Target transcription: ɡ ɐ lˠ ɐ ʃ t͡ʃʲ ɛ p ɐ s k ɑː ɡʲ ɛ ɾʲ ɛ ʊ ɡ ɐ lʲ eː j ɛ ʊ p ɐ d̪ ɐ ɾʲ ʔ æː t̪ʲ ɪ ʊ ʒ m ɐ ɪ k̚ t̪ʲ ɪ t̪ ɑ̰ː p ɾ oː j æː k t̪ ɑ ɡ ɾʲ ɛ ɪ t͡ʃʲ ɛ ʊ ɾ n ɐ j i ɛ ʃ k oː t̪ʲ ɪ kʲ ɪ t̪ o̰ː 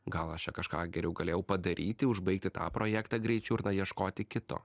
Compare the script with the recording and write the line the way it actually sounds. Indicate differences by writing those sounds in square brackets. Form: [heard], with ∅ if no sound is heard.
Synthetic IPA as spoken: ɡ ɐ lˠ ɐ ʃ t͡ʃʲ ɛ [k] ɐ [ʃ] k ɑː ɡʲ ɛ ɾʲ ɛ ʊ ɡ ɐ lʲ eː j ɛ ʊ p ɐ d̪ ɐ ɾʲ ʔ [iː] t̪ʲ ɪ ʊ ʒ [b] ɐ ɪ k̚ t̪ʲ ɪ t̪ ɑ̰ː p ɾ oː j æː k t̪ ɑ ɡ ɾʲ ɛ ɪ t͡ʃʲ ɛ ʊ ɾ n ɐ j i ɛ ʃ k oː t̪ʲ ɪ kʲ ɪ t̪ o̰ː